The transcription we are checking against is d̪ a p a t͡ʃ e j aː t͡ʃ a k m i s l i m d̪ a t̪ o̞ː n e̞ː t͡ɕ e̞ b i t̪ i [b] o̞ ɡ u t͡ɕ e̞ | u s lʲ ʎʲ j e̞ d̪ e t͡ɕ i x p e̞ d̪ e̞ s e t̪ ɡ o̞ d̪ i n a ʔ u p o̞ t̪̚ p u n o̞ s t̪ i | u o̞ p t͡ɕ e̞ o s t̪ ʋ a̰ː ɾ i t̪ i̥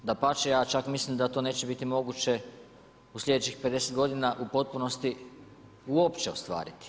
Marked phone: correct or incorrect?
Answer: incorrect